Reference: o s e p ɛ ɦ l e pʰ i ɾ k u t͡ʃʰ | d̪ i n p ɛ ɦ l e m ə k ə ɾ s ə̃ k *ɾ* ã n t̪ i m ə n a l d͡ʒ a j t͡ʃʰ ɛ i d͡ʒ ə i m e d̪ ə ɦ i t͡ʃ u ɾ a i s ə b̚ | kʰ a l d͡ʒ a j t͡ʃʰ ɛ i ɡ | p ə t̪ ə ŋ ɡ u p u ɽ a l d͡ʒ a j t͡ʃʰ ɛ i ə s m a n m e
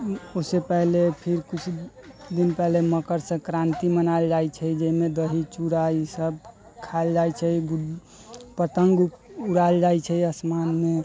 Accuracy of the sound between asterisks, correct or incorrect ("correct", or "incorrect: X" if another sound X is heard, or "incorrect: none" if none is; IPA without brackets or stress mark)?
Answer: correct